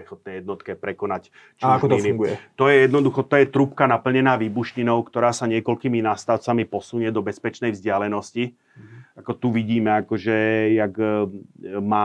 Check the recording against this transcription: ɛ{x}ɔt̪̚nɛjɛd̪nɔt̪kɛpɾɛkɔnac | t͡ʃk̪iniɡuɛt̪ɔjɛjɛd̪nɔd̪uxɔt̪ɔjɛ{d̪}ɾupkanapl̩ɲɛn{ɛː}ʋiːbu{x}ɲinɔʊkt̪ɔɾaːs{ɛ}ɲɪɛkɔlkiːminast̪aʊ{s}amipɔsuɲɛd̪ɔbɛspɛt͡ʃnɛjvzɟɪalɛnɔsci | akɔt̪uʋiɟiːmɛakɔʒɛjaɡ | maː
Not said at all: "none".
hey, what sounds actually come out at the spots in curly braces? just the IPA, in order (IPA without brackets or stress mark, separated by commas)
x, t̪, aː, ʃ, a, t͡s